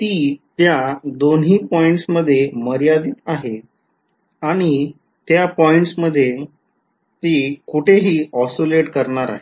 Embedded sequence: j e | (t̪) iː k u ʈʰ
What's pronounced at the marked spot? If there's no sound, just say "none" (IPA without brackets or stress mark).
t̪